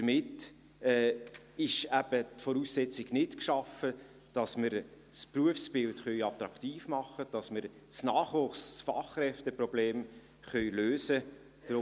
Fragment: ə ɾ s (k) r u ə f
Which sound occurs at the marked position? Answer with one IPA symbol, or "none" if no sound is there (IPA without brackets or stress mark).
p